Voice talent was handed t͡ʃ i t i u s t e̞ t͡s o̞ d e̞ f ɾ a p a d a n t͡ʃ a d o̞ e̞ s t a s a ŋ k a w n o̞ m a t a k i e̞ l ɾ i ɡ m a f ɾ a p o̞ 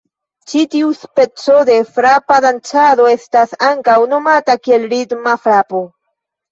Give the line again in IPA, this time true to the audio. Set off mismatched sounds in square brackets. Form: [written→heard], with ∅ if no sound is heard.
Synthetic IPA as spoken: t͡ʃ i t i u s [t→p] e̞ t͡s o̞ d e̞ f ɾ a p a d a n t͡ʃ a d o̞ e̞ s t a s a ŋ k a w n o̞ m a t a k i e̞ l ɾ i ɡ m a f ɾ a p o̞